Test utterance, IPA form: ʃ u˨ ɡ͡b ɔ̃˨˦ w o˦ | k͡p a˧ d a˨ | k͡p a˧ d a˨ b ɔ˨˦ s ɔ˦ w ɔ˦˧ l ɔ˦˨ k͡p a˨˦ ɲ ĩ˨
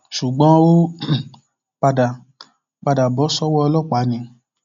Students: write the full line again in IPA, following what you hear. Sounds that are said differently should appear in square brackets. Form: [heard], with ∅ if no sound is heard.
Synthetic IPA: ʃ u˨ ɡ͡b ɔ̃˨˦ w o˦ | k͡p a˧ d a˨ | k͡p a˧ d a˨ b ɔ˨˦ s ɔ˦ w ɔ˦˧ l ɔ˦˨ k͡p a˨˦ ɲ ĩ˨